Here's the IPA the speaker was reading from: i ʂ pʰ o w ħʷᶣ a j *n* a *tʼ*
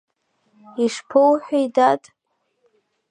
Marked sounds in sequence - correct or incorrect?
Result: incorrect: d, correct

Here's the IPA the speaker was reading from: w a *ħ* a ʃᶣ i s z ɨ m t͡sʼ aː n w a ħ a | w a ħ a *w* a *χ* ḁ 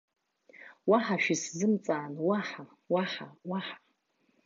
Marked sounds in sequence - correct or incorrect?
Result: correct, correct, incorrect: ħ

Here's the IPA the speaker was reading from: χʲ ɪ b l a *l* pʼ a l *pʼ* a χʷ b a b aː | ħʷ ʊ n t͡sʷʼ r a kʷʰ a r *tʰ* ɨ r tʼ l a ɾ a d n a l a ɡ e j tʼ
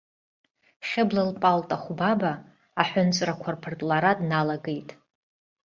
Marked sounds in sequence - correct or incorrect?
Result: correct, incorrect: tʼ, incorrect: pʰ

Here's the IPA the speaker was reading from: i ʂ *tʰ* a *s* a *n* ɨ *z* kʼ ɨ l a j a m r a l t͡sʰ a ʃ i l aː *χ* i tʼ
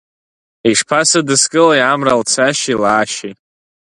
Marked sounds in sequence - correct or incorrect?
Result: incorrect: pʰ, correct, incorrect: d, incorrect: s, incorrect: ʃ

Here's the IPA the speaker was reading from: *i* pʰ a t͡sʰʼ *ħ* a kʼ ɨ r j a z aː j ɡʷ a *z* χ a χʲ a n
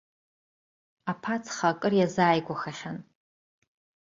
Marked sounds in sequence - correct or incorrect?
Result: incorrect: a, incorrect: χ, incorrect: none

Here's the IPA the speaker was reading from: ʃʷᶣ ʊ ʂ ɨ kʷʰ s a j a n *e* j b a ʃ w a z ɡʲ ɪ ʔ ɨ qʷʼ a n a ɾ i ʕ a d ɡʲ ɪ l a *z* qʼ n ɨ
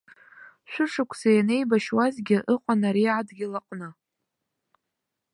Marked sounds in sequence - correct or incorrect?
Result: correct, incorrect: none

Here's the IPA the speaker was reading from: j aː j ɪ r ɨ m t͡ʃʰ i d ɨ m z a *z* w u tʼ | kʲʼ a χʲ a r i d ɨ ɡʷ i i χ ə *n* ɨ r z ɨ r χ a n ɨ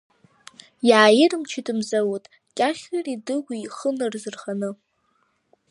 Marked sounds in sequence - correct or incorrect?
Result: incorrect: none, correct

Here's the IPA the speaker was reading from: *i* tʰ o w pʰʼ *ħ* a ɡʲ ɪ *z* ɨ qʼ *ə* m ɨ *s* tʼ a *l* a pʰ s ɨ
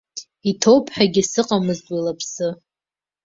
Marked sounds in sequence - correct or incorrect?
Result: correct, correct, incorrect: s, incorrect: a, incorrect: z, correct

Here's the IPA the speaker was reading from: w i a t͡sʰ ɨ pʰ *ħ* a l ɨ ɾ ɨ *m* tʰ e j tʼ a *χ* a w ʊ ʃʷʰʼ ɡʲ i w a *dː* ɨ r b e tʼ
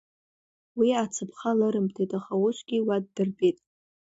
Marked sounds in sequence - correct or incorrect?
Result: incorrect: χ, correct, correct, correct

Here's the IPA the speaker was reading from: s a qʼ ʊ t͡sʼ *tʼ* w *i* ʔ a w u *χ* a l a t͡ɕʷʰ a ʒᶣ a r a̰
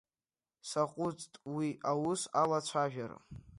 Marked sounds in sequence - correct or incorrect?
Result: correct, correct, incorrect: s

